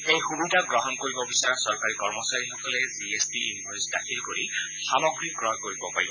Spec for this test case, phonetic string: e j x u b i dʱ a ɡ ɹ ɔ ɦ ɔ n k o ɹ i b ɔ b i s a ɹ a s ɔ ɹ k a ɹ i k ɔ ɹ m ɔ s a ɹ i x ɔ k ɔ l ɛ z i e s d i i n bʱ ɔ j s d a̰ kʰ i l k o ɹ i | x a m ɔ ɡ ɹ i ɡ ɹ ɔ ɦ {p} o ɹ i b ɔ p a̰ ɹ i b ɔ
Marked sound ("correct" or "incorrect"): incorrect